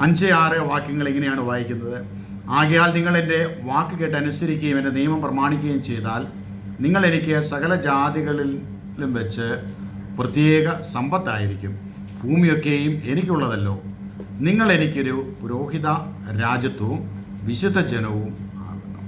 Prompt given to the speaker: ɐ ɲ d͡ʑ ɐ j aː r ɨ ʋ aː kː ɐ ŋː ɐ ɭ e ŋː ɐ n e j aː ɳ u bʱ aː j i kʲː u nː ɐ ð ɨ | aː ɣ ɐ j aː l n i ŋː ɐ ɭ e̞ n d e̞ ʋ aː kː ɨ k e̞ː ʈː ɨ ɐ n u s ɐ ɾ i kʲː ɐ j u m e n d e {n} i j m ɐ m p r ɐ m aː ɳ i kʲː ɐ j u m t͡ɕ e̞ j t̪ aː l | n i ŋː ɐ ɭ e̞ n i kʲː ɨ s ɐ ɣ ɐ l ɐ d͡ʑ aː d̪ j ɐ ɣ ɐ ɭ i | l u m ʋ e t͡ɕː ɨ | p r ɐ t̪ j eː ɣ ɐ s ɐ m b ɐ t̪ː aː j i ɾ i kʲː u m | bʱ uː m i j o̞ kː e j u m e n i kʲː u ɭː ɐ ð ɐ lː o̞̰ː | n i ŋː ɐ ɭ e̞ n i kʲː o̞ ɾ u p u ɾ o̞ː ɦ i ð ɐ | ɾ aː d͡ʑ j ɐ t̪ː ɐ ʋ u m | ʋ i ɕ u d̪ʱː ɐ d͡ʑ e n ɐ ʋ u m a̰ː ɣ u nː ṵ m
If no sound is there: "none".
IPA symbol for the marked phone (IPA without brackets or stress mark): n